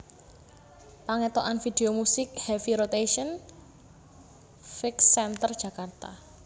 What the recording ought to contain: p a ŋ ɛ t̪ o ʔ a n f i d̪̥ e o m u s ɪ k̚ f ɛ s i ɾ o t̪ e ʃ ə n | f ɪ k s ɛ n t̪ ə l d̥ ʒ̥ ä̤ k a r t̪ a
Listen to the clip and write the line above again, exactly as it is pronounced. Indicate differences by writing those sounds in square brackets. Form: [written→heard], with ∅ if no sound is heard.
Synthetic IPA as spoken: p a ŋ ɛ t̪ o ʔ a n f i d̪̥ e o m u s ɪ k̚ [f→h] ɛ [s→f] i ɾ o t̪ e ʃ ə n | f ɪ k s ɛ n t̪ ə [l→r] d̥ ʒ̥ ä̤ k a r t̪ a